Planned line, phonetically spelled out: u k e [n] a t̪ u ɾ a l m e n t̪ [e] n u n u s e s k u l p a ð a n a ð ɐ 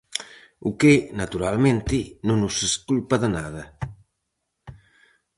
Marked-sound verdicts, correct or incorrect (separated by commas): correct, incorrect